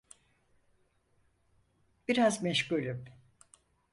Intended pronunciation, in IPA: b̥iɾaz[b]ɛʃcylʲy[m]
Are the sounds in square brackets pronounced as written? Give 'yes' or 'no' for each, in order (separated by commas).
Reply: no, yes